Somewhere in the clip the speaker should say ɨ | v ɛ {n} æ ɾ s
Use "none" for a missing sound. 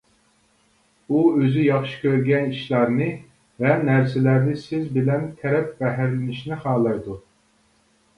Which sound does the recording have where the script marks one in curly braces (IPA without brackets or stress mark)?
n